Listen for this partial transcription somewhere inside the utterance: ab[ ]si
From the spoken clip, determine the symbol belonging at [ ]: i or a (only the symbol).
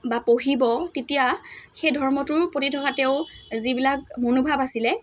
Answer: a